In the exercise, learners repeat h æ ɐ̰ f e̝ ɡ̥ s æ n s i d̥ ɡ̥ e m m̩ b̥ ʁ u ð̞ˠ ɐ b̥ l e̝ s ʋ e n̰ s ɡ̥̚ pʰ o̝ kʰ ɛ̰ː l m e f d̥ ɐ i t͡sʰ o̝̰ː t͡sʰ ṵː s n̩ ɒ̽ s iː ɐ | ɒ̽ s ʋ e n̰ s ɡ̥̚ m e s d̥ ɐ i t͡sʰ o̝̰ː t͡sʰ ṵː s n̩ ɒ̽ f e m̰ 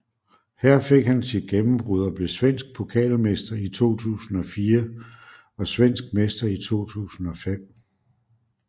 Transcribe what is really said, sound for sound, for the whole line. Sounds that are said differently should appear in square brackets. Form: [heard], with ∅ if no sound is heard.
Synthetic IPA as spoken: h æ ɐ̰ f e̝ ɡ̥ [h] æ n s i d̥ ɡ̥ e m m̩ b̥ ʁ u ð̞ˠ ɐ b̥ l e̝ s ʋ e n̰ s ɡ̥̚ pʰ o̝ kʰ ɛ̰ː l m e [s] d̥ ɐ i t͡sʰ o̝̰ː t͡sʰ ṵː s n̩ ɒ̽ [f] iː ɐ | ɒ̽ s ʋ e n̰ s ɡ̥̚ m e s d̥ ɐ i t͡sʰ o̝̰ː t͡sʰ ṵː s n̩ ɒ̽ f e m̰

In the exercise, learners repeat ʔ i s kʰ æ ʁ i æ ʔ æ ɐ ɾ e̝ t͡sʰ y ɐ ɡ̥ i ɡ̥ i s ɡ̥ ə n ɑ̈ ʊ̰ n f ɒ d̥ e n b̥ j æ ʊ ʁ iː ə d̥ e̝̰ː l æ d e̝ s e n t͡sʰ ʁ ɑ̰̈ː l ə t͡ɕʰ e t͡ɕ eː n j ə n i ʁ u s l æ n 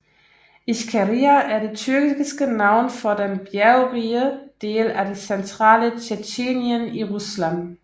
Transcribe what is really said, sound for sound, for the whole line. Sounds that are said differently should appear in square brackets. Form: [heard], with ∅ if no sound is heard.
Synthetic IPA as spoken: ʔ i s kʰ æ ʁ i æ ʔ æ ɐ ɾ e̝ t͡sʰ y ɐ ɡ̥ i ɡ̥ i s ɡ̥ ə n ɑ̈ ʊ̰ n f ɒ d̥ e n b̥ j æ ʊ ʁ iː ə d̥ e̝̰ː l æ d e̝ s e n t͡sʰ ʁ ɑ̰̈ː l ə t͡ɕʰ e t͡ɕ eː n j ə n i ʁ u s l æ n

